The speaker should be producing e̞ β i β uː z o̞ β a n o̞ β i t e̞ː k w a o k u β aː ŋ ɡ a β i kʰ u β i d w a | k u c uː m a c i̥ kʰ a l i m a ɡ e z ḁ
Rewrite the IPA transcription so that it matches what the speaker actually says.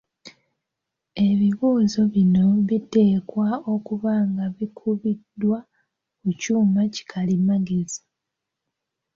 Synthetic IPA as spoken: e̞ β i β uː z o̞ β i n o̞ β i t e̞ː k w a o k u β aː ŋ ɡ a β i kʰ u β i d w a | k u c uː m a c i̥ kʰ a l i m a ɡ e z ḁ